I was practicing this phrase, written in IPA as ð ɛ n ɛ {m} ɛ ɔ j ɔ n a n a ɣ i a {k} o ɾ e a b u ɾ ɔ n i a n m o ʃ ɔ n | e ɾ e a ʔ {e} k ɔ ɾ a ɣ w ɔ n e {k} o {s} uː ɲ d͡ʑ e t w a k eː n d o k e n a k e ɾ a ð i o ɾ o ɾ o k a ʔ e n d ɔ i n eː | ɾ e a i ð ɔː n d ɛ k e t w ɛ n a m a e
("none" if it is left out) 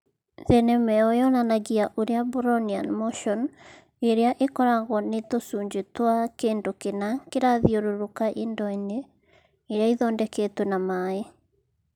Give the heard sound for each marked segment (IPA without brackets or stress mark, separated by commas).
m, ʔ, e, t, s